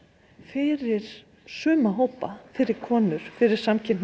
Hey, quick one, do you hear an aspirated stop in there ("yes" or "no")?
yes